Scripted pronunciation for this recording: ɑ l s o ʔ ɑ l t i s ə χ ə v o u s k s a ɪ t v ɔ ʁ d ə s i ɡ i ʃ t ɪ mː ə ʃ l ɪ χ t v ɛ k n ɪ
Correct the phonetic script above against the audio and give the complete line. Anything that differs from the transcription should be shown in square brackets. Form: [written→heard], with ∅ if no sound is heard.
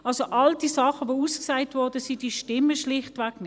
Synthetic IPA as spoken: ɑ l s o ʔ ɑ l [t→d] i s [ə→ɑ] χ ə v o u s k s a ɪ t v ɔ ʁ d ə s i [ɡ→d] i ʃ t ɪ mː ə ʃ l ɪ χ t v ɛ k n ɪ